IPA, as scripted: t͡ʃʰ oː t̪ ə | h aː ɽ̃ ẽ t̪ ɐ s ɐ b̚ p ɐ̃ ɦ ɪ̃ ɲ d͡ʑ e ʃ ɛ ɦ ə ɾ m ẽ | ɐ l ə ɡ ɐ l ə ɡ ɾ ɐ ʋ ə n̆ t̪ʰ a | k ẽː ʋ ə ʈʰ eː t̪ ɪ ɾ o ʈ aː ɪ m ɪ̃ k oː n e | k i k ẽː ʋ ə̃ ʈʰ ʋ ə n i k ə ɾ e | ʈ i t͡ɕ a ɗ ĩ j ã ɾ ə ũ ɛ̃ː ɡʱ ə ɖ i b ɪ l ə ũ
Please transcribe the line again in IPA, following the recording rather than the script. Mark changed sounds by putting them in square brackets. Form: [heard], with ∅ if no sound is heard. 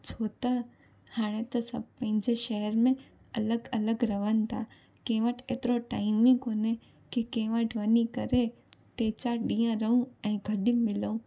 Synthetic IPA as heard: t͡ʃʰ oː t̪ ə | h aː ɽ̃ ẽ t̪ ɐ s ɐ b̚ p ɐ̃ ɦ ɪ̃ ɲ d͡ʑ e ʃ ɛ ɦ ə ɾ m ẽ | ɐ l ə ɡ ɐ l ə ɡ ɾ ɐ ʋ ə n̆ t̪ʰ a | k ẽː ʋ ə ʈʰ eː t̪ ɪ ɾ o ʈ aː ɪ m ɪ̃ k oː n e | k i k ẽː ʋ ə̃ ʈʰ ʋ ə n i k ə ɾ e | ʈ [e] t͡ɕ a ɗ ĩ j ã ɾ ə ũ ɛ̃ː ɡʱ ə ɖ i [m] ɪ l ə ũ

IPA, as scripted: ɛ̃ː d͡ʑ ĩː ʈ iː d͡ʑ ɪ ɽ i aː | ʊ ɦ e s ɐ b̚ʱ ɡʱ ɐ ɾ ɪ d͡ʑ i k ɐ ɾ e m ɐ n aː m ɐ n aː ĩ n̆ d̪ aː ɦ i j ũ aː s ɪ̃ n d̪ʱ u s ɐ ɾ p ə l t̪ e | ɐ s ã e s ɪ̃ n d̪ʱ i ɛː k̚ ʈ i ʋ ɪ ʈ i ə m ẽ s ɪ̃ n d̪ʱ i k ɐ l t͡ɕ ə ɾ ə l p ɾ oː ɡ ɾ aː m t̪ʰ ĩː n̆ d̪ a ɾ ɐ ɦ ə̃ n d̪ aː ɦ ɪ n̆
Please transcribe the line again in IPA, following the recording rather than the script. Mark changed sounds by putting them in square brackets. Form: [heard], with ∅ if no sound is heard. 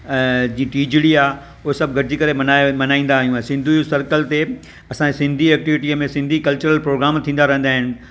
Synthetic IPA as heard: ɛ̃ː d͡ʑ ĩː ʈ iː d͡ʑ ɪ ɽ i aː | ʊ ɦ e s ɐ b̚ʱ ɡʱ ɐ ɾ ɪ d͡ʑ i k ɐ ɾ e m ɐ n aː m ɐ n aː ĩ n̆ d̪ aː ɦ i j ũ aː s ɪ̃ n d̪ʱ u s ɐ ɾ [k] ə l t̪ e | ɐ s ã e s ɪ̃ n d̪ʱ i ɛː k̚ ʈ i ʋ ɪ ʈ i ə m ẽ s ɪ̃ n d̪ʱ i k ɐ l t͡ɕ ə ɾ ə l p ɾ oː ɡ ɾ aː m t̪ʰ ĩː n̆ d̪ a ɾ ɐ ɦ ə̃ n d̪ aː ɦ ɪ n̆

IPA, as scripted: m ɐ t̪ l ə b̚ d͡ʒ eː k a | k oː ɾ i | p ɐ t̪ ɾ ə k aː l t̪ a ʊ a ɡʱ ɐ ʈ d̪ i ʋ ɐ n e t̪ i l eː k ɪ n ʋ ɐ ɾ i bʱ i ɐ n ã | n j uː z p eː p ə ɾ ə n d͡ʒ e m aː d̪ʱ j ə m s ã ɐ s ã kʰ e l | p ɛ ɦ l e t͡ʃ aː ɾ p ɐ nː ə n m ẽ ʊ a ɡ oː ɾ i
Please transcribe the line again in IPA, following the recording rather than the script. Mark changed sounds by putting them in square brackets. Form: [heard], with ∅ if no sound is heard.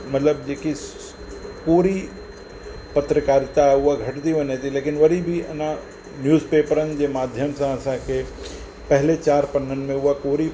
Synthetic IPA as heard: m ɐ t̪ l ə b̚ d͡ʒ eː k [i] | k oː ɾ i | p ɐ t̪ ɾ ə k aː [ɾ] t̪ a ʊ a ɡʱ ɐ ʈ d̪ i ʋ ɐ n e t̪ i l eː k ɪ n ʋ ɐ ɾ i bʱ i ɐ n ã | n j uː z p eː p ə ɾ ə n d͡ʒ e m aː d̪ʱ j ə m s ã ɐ s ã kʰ e [∅] | p ɛ ɦ l e t͡ʃ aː ɾ p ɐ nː ə n m ẽ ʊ a [k] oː ɾ i

